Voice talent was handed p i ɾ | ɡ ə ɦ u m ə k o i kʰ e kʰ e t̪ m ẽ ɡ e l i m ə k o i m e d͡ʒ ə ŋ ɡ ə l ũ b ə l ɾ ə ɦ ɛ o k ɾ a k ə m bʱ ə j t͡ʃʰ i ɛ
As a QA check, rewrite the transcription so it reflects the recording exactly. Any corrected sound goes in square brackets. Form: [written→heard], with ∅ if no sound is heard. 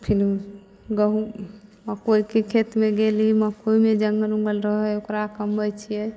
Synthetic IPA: [p→pʰ] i ɾ | ɡ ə ɦ u m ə k o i [kʰ→k] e kʰ e t̪ m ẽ ɡ e l i m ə k o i m e d͡ʒ ə ŋ ɡ ə l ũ [b→ɡ] ə l ɾ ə ɦ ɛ o k ɾ a k ə m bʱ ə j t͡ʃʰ i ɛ